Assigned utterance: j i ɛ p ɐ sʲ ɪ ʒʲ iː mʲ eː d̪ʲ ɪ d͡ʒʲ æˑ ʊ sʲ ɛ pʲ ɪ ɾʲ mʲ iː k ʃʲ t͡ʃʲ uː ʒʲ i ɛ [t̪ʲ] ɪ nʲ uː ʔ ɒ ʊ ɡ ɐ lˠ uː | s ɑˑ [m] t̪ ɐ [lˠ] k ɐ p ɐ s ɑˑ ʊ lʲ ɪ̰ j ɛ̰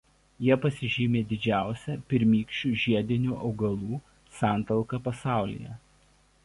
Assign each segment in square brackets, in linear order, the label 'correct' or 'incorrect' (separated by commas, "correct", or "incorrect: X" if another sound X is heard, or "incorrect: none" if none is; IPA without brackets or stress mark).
incorrect: d̪ʲ, incorrect: n, correct